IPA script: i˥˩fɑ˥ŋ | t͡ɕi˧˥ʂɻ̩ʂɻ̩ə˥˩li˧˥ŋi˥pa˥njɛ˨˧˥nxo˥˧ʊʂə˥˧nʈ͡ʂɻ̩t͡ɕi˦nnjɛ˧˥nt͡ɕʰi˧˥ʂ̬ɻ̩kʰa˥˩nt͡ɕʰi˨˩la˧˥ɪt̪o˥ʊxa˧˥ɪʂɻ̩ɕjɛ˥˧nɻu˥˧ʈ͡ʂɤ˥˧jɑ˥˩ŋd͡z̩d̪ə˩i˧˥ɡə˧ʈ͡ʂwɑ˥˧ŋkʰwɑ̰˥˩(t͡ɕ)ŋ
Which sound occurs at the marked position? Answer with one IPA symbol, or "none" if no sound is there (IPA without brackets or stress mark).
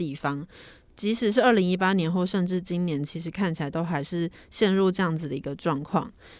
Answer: none